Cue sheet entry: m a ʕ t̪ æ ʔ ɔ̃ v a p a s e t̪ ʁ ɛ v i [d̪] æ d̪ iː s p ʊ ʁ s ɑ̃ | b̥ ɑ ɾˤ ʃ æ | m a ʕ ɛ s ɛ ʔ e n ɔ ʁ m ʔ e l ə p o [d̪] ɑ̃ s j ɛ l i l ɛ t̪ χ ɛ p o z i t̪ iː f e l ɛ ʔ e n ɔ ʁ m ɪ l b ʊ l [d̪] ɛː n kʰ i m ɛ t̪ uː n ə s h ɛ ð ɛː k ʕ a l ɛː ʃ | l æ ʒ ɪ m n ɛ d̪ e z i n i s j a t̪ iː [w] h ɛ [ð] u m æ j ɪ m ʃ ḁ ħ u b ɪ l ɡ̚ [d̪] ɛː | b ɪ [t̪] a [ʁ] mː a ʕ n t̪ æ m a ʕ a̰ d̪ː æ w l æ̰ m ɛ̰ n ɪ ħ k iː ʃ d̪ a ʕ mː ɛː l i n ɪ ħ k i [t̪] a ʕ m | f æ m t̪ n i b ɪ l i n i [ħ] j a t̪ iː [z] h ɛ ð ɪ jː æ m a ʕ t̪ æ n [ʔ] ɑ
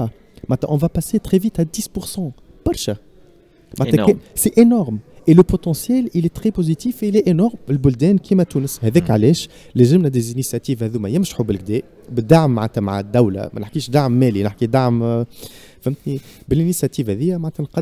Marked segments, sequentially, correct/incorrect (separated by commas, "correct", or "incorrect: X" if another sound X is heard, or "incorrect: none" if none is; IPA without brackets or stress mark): incorrect: t̪, incorrect: t̪, correct, incorrect: v, correct, correct, incorrect: d̪, incorrect: ʕ, incorrect: d̪, incorrect: s, incorrect: v, incorrect: q